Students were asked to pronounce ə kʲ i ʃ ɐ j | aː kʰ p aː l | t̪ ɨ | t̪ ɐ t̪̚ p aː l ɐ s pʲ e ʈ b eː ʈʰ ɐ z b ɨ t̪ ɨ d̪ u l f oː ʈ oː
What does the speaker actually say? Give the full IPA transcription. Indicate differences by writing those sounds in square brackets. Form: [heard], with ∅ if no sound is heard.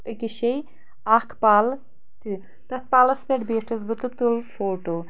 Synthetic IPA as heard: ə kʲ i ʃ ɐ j | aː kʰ p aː l | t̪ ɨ | t̪ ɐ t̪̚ p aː l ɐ s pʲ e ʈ b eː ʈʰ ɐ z b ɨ t̪ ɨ [t̪] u l f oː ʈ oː